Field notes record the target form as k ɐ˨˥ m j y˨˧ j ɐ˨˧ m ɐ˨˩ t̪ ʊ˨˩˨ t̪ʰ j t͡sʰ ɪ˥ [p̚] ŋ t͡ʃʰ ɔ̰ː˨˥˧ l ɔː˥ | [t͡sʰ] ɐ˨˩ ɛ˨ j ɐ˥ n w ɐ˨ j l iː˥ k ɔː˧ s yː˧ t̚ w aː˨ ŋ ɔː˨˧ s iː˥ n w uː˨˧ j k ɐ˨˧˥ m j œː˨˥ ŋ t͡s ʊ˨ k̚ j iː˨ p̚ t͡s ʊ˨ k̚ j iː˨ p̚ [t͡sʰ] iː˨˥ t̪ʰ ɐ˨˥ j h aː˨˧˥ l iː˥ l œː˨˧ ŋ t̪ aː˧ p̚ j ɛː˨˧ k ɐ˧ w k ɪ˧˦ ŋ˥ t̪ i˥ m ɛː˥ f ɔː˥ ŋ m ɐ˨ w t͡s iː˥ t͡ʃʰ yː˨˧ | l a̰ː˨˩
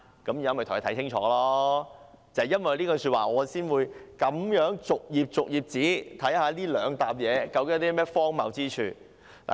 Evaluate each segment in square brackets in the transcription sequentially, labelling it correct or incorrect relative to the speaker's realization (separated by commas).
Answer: incorrect, incorrect, incorrect